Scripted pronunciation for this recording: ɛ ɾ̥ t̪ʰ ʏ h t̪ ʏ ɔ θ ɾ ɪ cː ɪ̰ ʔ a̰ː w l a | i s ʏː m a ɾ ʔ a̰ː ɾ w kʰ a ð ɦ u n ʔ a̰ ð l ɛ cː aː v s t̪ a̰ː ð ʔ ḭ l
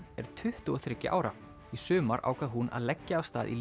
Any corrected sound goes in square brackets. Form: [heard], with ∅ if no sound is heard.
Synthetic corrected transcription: ɛ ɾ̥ t̪ʰ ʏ h t̪ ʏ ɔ θ ɾ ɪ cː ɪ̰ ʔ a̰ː w [ɾ] a | i s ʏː m a ɾ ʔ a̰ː [∅] w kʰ a ð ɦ u n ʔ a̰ ð l ɛ cː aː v s t̪ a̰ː ð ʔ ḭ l

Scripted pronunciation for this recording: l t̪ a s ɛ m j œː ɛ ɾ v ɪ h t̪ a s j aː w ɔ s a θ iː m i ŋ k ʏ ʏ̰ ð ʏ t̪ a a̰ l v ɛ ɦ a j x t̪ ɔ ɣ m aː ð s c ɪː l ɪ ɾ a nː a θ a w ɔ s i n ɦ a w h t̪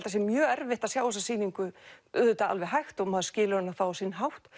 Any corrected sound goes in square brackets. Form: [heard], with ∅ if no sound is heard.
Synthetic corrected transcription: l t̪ a s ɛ m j œː ɛ ɾ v ɪ h t̪ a s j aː w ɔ s a [s] iː [n] i ŋ k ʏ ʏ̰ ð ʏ t̪ a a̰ l v ɛ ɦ a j x t̪ ɔ ɣ m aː ð s c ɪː l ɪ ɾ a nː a θ a w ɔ s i n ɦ a w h t̪

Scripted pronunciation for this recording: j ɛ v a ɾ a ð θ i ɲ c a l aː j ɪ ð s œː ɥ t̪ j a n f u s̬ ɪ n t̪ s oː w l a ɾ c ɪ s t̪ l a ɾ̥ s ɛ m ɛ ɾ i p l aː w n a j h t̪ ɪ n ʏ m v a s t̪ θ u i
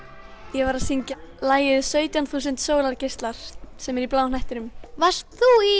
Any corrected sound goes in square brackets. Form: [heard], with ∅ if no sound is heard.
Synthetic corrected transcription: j ɛ v a ɾ a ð [s] i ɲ c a l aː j ɪ ð s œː ɥ t̪ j a n [θ] u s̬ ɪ n t̪ s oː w l a ɾ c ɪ s t̪ l a ɾ̥ s ɛ m ɛ ɾ i p l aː w n a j h t̪ ɪ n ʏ m v a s t̪ θ u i

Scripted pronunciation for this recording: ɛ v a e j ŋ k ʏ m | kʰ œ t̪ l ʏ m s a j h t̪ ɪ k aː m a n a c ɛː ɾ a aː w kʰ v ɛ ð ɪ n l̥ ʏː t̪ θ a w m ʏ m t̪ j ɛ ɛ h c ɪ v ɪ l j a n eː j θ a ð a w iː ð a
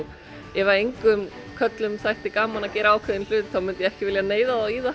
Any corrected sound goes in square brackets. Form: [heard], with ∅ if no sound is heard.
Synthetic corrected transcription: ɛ v a e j ŋ k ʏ m | kʰ œ t̪ l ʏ m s a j h t̪ ɪ k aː m a n a c ɛː ɾ a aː w kʰ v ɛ ð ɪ n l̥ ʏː t̪ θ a w m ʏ [n] t̪ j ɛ ɛ h c ɪ v ɪ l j a n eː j [ð] a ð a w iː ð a

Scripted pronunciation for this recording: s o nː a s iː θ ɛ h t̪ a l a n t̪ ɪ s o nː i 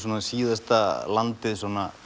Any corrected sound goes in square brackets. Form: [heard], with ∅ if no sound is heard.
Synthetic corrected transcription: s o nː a s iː [ð] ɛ [s] t̪ a l a n t̪ ɪ s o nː [a]

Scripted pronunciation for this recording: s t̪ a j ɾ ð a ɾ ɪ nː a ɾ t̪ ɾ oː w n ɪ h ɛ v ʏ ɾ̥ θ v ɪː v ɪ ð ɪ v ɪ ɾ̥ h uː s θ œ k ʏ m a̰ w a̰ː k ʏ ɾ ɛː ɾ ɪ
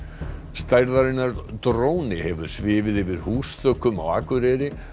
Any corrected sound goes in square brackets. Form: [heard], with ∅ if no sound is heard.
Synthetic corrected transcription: s t̪ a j ɾ ð a ɾ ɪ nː a ɾ t̪ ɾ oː w n ɪ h ɛ v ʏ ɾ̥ [s] v ɪː v ɪ ð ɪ v ɪ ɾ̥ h uː s θ œ k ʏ m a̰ w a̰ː k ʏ ɾ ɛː ɾ ɪ

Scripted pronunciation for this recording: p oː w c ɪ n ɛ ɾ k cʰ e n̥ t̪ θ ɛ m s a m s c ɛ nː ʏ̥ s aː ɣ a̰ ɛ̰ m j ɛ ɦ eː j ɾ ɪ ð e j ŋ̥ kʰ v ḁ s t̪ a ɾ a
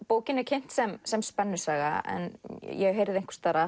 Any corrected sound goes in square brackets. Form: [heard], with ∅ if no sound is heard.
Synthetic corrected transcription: p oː w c ɪ n ɛ ɾ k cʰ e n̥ t̪ [s] ɛ m s [ɛ] m s [p] ɛ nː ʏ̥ s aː ɣ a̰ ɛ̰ [n] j ɛ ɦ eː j ɾ ɪ ð e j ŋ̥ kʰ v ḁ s t̪ a ɾ a

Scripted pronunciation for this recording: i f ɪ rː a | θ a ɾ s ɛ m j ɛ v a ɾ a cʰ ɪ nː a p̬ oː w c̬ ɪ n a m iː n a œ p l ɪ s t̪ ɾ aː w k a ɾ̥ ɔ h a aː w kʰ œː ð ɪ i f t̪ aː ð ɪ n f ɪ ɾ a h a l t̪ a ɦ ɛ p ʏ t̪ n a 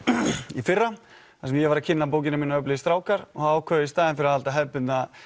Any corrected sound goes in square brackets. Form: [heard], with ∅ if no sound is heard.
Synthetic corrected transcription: i f ɪ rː a | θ a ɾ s ɛ m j ɛ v a ɾ a cʰ ɪ nː a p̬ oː w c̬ ɪ n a m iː n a œ p l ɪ s t̪ ɾ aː w k a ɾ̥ ɔ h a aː w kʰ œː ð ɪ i [s] t̪ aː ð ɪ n f ɪ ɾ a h a l t̪ a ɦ ɛ p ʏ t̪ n a

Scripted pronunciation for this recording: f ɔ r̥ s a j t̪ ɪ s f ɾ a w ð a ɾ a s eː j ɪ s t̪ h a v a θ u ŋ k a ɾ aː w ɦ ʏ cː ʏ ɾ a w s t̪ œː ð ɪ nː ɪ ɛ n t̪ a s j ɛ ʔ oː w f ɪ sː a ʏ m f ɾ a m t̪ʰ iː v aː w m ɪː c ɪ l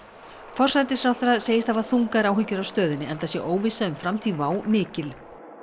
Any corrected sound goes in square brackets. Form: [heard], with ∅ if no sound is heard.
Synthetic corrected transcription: f ɔ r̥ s a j t̪ ɪ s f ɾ a w [θ] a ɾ a s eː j ɪ s t̪ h a v a θ u ŋ k a ɾ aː w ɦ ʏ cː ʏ ɾ a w s t̪ œː ð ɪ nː ɪ ɛ n t̪ a s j ɛ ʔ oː w [v] ɪ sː a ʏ m f ɾ a m t̪ʰ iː v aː w m ɪː c ɪ l

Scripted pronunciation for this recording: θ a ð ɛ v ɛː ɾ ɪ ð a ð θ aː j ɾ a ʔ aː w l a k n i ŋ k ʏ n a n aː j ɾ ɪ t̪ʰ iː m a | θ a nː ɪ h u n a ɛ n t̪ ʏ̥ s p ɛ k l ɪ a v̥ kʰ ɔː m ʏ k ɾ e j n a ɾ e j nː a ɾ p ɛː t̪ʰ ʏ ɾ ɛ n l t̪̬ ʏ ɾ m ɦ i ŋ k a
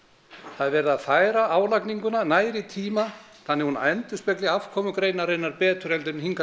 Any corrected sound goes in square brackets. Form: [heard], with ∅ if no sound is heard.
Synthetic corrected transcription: θ a ð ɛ v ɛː ɾ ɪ ð a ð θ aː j ɾ a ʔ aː w l a k n i ŋ k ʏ n a n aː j ɾ ɪ t̪ʰ iː m a | θ a nː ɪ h u n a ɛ n t̪ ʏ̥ s p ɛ k l ɪ a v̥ kʰ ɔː m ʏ k ɾ e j n a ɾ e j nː a ɾ p ɛː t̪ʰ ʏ ɾ ɛ [∅] l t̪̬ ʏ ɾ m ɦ i ŋ k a

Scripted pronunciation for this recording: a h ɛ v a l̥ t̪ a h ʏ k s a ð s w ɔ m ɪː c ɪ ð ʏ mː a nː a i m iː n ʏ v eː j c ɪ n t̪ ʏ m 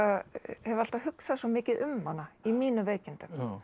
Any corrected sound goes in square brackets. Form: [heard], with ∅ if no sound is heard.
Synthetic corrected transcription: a h ɛ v a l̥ t̪ a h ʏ k s a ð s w ɔ m ɪː c ɪ ð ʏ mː a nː a i m iː n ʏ v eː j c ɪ n t̪ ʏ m

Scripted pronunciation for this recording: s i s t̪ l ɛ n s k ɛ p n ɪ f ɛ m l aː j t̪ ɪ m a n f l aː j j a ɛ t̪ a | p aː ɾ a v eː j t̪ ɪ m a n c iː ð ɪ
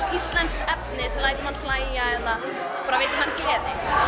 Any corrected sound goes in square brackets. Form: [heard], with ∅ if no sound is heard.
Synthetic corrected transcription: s i s t̪ l ɛ n s k ɛ p n ɪ [s] ɛ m l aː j t̪ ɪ m a n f l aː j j a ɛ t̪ a | p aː ɾ a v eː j t̪ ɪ m a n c [ɛː] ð ɪ

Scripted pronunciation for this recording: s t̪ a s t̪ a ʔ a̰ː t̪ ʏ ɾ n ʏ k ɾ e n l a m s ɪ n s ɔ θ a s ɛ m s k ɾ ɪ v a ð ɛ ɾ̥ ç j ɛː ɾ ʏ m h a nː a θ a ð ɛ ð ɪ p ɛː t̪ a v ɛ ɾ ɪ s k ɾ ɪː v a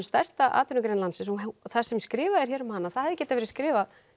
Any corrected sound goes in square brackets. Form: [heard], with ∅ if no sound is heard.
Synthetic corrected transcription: s t̪ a s t̪ a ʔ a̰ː t̪ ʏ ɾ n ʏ k ɾ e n l a [n] s ɪ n s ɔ θ a s ɛ m s k ɾ [ɪː] v a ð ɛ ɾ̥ ç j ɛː ɾ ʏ m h a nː a θ a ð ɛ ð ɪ [c] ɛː t̪ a v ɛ ɾ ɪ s k ɾ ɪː v a

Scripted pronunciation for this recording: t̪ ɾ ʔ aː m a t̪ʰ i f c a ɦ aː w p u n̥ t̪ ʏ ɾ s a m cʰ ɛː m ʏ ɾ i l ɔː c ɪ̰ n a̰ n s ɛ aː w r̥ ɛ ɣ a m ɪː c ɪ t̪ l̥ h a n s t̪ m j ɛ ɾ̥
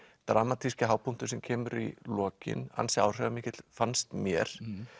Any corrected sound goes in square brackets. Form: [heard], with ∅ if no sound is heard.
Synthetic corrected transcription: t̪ ɾ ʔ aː m a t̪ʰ i [s] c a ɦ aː w p u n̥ t̪ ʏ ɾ s [ɛ] m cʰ ɛː m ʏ ɾ i l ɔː c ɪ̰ n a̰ n s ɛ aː w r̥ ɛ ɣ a m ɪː c ɪ t̪ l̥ [f] a n s t̪ m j ɛ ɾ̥

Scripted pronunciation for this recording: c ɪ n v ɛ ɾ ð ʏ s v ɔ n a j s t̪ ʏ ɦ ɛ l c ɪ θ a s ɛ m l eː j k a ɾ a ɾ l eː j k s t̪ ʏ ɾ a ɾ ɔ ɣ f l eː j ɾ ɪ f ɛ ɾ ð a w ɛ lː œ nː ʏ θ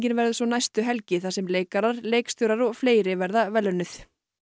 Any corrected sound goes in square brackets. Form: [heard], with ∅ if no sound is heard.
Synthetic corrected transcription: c ɪ n v ɛ ɾ ð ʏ s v ɔ n a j s t̪ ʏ ɦ ɛ l c ɪ θ a s ɛ m l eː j k a ɾ a ɾ l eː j k s t̪ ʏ ɾ a ɾ ɔ ɣ f l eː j ɾ ɪ [v] ɛ ɾ ð a [v] ɛ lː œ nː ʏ θ

